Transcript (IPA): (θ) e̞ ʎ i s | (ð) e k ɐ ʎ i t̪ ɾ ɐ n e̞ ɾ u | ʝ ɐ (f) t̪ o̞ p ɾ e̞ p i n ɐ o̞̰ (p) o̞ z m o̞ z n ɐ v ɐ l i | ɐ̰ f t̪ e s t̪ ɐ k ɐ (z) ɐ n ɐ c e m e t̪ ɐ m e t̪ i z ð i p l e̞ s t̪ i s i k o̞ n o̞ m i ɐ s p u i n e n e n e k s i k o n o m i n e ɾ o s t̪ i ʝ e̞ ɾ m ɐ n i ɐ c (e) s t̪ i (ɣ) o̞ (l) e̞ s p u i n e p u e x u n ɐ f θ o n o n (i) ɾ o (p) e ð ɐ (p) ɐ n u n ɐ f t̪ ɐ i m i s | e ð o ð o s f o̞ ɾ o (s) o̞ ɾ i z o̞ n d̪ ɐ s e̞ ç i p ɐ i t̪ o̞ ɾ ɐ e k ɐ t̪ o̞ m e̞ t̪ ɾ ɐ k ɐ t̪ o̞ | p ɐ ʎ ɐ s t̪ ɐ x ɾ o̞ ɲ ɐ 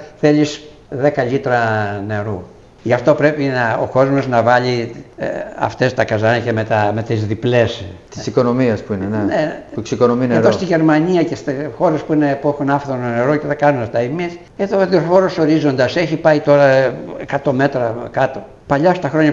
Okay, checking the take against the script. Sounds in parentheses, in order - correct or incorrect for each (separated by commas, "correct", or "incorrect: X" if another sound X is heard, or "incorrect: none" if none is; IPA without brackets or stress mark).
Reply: correct, correct, correct, incorrect: k, correct, correct, incorrect: x, incorrect: ɾ, incorrect: e, incorrect: c, incorrect: k, correct